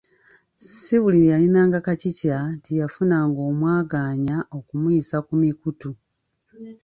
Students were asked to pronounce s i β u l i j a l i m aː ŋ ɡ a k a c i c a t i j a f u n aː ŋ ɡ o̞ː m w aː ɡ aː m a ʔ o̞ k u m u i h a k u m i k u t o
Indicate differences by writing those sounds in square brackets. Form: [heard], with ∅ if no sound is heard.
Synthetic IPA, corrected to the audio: s i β u l i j a l i [n] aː ŋ ɡ a k a c i c a t i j a f u n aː ŋ ɡ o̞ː m w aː ɡ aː [ɲ] a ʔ o̞ k u m u i [s] a k u m i k u t [u]

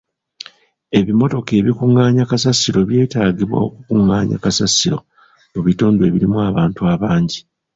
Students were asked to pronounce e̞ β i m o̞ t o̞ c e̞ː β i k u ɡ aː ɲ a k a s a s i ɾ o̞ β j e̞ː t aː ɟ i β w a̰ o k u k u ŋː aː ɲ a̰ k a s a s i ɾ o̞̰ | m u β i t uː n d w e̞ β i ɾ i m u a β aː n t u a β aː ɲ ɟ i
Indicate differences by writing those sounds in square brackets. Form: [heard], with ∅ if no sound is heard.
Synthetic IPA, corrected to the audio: e̞ β i m o̞ t o̞ [k] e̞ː β i k u [ŋ] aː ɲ a k a s a s i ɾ o̞ β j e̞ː t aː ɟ i β w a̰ o k u k u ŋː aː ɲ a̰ k a s a s i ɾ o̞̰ | m u β i t uː n d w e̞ β i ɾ i m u a β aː n t u a β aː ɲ ɟ i

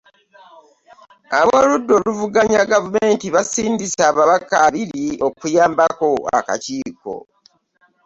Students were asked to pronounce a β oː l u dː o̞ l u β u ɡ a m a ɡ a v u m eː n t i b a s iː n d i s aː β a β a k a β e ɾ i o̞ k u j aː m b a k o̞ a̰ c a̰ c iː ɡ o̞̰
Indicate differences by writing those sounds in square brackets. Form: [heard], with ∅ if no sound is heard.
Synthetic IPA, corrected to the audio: a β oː l u dː o̞ l u [v] u ɡ a [ɲ] a ɡ a v u m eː n t i [β] a s iː n d i s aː β a β a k a β [i] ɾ i o̞ k u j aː m b a k o̞ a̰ [k] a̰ c iː [k] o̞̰

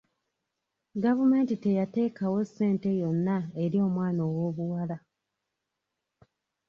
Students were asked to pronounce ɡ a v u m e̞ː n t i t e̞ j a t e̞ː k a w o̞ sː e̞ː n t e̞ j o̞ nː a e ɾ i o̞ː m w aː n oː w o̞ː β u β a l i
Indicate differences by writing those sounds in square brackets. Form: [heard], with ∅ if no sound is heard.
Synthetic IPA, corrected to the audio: ɡ a v u m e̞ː n t i t e̞ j a t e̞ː k a w o̞ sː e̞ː n t e̞ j o̞ nː a e ɾ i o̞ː m w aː n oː w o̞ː β u [w] a l [a]

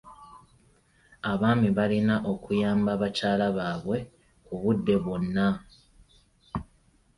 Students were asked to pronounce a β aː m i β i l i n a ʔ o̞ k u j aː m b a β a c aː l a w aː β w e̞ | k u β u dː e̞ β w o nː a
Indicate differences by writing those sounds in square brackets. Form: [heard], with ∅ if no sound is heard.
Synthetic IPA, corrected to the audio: a β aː m i β [a] l i n a ʔ o̞ k u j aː m b a β a c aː l a [β] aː β w e̞ | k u β u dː e̞ β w o nː a

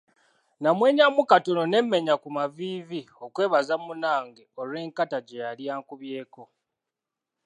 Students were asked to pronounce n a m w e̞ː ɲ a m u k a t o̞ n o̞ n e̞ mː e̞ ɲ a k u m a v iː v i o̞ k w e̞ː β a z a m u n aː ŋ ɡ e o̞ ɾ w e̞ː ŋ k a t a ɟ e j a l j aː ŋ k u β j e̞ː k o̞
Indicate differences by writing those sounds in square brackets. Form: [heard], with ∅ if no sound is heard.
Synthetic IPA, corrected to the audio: n a m w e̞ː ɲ a m u k a t o̞ n o̞ n e̞ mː e̞ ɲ a k u m a v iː v i o̞ k w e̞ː β a z a m u n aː ŋ ɡ e o̞ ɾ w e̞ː ŋ k a t a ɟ e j a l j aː ŋ k u β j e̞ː k o̞

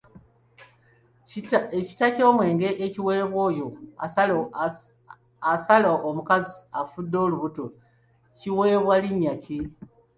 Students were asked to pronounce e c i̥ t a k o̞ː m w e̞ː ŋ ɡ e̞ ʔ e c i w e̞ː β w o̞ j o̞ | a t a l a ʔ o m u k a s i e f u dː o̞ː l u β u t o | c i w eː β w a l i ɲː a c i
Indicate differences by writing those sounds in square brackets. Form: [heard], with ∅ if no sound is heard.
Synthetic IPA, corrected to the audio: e c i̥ t a [c] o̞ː m w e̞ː ŋ ɡ e̞ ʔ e c i w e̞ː β w o̞ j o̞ | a [s] a l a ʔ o m u k a [z] i [a] f u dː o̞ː l u β u t o | c i w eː β w a l i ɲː a c i

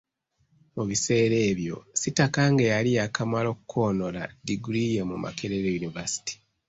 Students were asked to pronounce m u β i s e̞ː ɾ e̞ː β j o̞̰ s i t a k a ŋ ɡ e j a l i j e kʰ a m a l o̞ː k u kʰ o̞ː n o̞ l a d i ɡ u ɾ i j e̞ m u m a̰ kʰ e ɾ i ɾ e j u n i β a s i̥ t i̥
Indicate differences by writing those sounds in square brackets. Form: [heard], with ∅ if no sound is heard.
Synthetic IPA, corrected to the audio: m u β i s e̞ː ɾ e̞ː β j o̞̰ s i t a k a ŋ ɡ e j a l i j [a] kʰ a m a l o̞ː k u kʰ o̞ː n o̞ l a d i ɡ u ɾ i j e̞ m u m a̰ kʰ e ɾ [e] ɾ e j u n i [v] a s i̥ t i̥

